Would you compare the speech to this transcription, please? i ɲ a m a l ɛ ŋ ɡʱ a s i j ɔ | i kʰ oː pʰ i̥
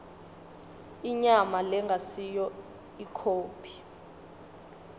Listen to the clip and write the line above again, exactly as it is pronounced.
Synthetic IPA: i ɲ a m a l ɛ ŋ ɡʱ a s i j ɔ | i kʰ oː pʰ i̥